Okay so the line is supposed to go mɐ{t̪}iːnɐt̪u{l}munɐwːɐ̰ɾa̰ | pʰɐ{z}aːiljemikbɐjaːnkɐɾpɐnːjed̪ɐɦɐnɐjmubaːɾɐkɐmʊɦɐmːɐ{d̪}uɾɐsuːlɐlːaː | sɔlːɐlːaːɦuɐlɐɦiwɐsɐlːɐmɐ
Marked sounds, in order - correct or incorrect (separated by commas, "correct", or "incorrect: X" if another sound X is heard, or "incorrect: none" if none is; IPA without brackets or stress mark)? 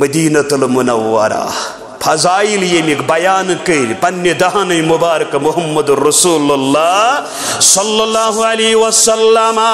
incorrect: d̪, correct, correct, correct